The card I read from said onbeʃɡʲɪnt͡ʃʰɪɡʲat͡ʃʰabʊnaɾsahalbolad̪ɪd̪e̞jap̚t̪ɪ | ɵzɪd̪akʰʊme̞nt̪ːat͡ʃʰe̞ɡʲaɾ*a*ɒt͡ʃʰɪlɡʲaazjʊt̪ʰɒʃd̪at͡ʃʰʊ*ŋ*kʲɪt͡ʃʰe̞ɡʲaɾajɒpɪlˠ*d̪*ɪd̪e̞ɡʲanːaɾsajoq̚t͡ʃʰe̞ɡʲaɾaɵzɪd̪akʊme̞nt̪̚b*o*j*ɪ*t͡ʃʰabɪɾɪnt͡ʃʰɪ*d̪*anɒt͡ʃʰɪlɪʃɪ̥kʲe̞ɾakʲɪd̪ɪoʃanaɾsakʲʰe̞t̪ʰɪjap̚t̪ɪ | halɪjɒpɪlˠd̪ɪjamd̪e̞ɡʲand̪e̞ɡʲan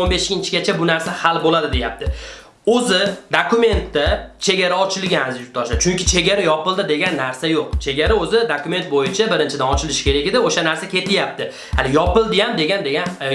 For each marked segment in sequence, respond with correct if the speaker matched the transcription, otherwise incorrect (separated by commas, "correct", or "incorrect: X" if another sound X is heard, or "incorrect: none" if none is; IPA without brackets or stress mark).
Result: correct, correct, correct, correct, correct, correct